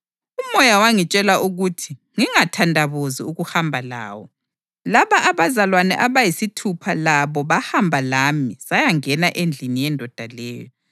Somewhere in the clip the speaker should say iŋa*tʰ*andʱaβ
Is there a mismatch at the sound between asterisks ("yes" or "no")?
no